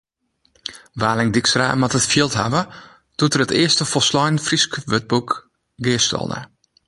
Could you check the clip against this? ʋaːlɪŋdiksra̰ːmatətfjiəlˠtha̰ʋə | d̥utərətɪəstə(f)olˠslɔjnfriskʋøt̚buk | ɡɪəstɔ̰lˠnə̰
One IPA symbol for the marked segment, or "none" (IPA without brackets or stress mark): f